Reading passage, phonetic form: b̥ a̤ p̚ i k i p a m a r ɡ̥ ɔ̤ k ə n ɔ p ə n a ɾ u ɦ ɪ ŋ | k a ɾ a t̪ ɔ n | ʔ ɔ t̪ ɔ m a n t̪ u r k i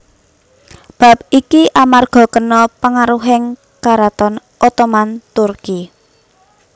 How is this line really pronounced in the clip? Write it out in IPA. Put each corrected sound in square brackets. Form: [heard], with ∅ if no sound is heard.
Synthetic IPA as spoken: b̥ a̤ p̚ i k i [ʔ] a m a r ɡ̥ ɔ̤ k ə n ɔ p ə [ŋ] a ɾ u ɦ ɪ ŋ | k a ɾ a t̪ ɔ n | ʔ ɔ t̪ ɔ m a n t̪ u r k i